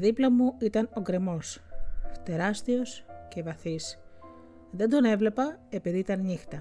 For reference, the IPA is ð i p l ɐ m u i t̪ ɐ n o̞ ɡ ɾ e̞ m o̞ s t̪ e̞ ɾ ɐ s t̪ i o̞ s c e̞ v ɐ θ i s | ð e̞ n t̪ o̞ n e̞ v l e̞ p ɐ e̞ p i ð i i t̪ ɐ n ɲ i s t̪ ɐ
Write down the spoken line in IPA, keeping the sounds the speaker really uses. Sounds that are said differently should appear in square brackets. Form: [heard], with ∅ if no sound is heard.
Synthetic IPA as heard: ð i p l ɐ m u i t̪ ɐ n o̞ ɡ ɾ e̞ m o̞ s t̪ e̞ ɾ ɐ s t̪ i o̞ s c e̞ v ɐ θ i s | ð e̞ n [d̪] o̞ n e̞ v l e̞ p ɐ e̞ p i ð i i t̪ ɐ n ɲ i [x] t̪ ɐ